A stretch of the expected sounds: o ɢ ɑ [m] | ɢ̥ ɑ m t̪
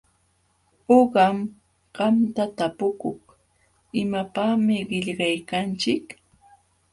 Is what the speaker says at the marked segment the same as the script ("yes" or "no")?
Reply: yes